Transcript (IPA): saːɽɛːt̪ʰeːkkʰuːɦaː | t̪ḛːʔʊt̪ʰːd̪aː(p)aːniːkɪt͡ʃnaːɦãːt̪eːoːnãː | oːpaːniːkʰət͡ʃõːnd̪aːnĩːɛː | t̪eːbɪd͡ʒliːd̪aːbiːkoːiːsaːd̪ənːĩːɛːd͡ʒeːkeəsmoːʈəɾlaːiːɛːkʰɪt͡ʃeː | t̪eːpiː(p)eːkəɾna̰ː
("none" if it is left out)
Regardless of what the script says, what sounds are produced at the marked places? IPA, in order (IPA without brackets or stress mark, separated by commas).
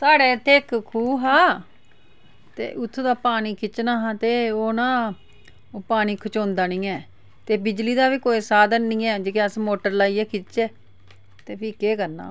p, k